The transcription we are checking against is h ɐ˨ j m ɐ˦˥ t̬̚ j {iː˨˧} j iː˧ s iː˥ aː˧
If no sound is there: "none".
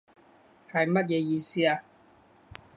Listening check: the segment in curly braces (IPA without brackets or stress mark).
ɛː˨˧